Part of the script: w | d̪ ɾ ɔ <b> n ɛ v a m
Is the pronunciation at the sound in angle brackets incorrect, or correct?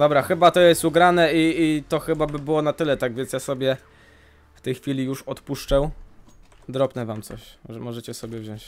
incorrect